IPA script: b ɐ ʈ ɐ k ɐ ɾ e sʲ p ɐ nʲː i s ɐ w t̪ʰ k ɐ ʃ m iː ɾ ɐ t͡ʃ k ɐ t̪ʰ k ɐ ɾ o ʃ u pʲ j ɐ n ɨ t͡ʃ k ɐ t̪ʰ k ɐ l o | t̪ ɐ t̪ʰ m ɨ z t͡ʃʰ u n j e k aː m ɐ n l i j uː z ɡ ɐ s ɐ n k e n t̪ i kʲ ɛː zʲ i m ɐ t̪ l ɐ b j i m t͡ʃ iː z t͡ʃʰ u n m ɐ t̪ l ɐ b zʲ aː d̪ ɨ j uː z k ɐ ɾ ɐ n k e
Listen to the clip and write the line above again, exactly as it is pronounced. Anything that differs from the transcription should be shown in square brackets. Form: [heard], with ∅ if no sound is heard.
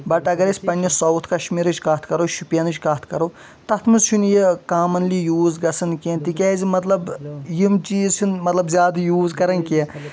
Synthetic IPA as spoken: b ɐ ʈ ɐ [ɡ] ɐ ɾ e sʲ p ɐ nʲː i s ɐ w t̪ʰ k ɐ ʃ m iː ɾ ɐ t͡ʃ k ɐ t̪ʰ k ɐ ɾ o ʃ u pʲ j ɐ n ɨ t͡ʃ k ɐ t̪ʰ k ɐ [ɾ] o | t̪ ɐ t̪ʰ m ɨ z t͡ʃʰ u n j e k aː m ɐ n l i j uː z ɡ ɐ s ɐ n k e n t̪ i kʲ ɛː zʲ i m ɐ t̪ l ɐ b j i m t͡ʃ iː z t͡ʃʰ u n m ɐ t̪ l ɐ b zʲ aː d̪ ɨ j uː z k ɐ ɾ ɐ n k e

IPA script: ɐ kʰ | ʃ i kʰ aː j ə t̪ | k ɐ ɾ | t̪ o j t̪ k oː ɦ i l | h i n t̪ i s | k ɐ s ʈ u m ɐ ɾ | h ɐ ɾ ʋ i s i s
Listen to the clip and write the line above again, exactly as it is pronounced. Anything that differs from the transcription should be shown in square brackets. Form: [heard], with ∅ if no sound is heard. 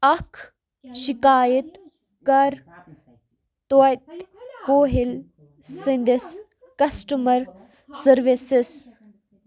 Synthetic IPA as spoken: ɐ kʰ | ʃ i [k] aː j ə t̪ | k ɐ ɾ | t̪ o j t̪ k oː ɦ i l | [s] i n [d̪] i s | k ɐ s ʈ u m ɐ ɾ | [s] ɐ ɾ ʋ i s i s

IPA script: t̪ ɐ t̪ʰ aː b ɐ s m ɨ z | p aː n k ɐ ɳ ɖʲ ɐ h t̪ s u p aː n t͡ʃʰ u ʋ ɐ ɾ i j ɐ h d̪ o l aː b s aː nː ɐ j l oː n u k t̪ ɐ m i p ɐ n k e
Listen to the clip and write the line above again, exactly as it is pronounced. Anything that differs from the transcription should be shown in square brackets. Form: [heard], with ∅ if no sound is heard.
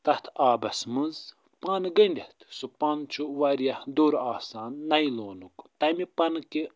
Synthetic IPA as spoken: t̪ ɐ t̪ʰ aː b ɐ s m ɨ z | p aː n [ɡ] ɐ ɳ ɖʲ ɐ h t̪ s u p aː n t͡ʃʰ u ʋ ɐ ɾ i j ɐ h d̪ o [ɾ] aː [∅] s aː nː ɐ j l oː n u k t̪ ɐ m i p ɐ n k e

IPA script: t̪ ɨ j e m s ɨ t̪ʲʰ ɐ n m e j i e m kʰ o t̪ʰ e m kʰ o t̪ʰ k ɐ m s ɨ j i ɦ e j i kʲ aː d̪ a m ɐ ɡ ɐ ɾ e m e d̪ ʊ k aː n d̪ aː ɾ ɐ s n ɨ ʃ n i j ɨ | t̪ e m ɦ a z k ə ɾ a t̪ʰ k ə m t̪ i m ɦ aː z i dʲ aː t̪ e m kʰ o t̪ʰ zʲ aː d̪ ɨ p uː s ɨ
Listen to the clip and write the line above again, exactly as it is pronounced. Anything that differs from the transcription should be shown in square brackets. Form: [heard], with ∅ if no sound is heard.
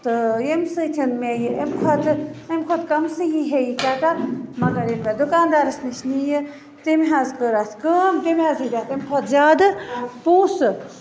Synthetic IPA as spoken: t̪ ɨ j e m s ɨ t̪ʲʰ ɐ n m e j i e m kʰ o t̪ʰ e m kʰ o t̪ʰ k ɐ m s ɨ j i ɦ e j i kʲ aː [t̪] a m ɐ ɡ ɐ ɾ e m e d̪ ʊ k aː n d̪ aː ɾ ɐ s n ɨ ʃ n i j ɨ | t̪ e m ɦ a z k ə ɾ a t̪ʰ k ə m t̪ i m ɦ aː z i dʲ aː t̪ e m kʰ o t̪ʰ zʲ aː d̪ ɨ p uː s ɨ

